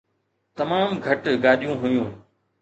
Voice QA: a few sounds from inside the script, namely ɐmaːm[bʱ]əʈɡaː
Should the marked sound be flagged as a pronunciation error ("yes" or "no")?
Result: yes